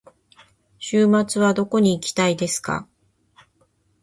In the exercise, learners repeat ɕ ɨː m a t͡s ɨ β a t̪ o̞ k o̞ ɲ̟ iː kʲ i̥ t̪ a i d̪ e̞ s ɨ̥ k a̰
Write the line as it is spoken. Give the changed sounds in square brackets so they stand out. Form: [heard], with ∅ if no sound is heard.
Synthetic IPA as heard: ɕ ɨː m a t͡s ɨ β a [d̪] o̞ k o̞ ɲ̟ iː kʲ i̥ t̪ a i d̪ e̞ s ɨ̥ k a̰